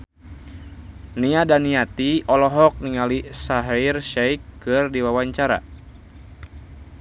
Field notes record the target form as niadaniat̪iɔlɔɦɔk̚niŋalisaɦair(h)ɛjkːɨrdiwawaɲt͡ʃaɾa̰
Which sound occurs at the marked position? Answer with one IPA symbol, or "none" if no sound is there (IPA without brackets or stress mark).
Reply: ʃ